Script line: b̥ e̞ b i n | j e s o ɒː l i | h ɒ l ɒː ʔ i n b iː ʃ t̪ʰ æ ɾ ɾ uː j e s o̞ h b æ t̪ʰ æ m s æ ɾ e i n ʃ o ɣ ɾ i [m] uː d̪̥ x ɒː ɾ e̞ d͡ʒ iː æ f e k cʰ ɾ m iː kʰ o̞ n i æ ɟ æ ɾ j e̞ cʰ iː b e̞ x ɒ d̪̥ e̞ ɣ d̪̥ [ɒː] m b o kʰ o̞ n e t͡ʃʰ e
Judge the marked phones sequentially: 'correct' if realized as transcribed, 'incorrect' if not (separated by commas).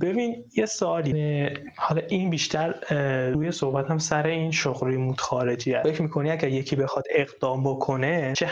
correct, correct